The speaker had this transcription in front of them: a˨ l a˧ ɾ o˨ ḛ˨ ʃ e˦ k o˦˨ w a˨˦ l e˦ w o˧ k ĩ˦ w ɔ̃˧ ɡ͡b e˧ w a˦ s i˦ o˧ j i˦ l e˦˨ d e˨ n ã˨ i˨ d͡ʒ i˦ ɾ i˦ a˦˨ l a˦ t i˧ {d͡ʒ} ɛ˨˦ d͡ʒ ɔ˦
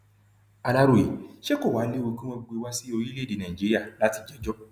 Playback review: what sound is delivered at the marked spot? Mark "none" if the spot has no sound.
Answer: d͡ʒ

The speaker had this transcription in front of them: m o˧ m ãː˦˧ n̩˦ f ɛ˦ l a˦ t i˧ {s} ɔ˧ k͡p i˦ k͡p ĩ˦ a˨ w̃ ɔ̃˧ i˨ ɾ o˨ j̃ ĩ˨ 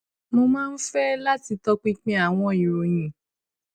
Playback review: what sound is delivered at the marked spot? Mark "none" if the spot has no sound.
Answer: t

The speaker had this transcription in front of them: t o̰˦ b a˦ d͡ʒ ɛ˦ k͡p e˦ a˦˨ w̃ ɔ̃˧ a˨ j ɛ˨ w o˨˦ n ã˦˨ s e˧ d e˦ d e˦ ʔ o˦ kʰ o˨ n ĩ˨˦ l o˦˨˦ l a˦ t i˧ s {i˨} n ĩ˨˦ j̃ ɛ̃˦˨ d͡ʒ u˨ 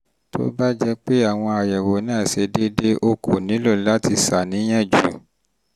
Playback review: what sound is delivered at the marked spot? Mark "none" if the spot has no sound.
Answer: a˨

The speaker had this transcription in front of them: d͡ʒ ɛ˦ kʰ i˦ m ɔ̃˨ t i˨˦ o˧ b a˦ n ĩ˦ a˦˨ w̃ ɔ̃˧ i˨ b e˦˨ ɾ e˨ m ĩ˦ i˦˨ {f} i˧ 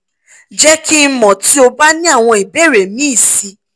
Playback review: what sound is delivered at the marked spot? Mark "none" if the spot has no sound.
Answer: s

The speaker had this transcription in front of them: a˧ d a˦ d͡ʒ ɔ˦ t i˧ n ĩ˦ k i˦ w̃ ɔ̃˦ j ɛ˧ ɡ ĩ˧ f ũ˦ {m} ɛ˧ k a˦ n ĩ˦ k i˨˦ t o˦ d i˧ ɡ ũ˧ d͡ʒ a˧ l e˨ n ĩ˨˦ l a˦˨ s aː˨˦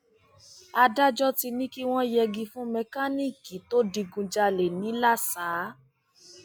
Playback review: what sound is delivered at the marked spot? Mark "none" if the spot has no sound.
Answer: m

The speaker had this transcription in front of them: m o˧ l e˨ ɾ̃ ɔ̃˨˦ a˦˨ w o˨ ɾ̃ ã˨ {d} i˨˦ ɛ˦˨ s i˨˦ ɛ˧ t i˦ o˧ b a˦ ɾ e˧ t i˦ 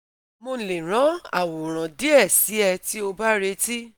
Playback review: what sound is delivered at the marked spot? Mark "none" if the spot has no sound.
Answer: d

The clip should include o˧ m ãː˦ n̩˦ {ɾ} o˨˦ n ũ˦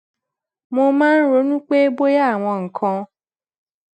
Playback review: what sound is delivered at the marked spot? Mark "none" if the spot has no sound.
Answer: ɾ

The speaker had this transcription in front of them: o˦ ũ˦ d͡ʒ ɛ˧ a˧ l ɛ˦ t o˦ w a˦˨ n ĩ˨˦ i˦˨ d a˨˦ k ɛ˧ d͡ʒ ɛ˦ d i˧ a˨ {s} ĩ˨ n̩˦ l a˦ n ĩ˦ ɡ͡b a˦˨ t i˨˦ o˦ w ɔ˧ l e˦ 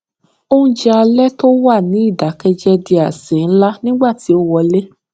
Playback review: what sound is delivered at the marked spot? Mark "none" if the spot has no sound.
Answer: s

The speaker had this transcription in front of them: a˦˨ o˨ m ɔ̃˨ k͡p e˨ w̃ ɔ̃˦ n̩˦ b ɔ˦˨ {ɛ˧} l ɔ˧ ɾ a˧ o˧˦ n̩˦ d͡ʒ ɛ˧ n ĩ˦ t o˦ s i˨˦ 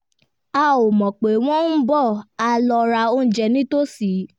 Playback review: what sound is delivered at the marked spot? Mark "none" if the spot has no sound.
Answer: a˧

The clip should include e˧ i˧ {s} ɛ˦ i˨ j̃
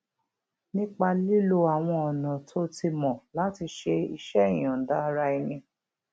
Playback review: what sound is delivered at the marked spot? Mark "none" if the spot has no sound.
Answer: ʃ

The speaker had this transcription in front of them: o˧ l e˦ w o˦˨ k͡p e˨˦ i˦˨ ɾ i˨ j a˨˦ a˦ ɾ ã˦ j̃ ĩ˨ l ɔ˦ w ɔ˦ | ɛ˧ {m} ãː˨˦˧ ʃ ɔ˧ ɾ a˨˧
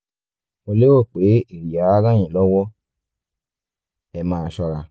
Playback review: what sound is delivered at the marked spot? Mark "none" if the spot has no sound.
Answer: m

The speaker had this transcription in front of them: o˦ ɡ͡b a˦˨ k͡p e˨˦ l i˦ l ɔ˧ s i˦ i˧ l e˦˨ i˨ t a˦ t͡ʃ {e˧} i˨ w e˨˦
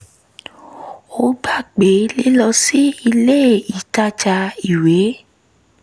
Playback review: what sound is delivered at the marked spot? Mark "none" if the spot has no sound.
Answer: a˧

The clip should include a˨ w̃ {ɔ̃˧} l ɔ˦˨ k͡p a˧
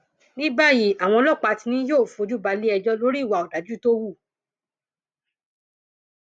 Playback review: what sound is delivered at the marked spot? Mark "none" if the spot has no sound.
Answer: ɔ̃˧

